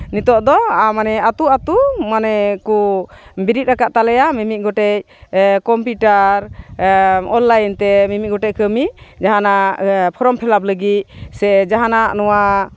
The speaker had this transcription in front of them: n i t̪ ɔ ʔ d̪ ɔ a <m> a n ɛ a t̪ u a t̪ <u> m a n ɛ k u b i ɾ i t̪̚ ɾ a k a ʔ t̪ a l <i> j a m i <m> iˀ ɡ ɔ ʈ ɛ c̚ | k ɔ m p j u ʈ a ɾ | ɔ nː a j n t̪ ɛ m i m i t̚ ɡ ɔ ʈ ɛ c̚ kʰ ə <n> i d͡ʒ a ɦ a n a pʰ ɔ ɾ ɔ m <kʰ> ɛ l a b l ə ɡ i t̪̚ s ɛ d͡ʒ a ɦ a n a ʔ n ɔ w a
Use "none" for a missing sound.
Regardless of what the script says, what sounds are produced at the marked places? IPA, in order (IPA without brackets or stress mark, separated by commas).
m, u, ɛ, m, m, pʰ